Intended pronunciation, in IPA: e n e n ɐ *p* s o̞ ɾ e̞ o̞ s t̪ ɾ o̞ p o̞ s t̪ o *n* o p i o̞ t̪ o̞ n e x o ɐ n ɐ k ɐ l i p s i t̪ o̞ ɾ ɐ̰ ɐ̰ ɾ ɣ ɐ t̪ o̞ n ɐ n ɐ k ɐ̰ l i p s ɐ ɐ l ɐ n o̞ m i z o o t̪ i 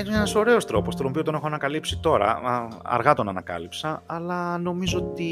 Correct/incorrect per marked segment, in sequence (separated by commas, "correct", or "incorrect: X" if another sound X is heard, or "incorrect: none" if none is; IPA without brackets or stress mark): incorrect: none, correct